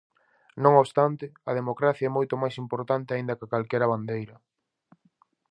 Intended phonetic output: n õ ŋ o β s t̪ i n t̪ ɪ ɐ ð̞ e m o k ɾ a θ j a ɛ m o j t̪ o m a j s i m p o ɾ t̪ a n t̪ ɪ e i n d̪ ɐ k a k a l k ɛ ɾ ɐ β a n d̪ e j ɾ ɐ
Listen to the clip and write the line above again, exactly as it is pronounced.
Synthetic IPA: n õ ŋ o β s t̪ a n t̪ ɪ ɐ ð̞ e m o k ɾ a θ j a ɛ m o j t̪ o m a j s i m p o ɾ t̪ a n t̪ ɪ a i n d̪ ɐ k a k a l k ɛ ɾ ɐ β a n d̪ e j ɾ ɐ